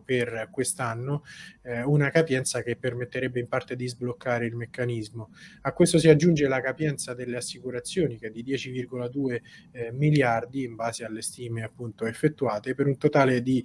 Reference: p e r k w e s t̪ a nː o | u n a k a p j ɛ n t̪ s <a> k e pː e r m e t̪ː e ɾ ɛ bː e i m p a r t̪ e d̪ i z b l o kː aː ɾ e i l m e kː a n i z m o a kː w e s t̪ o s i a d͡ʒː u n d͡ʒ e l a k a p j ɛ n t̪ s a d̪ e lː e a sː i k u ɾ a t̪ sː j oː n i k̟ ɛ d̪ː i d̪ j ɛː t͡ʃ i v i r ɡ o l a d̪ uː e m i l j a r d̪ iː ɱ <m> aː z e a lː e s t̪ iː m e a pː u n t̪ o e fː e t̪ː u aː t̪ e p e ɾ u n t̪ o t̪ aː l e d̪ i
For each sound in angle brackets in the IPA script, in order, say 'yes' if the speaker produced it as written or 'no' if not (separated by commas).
yes, no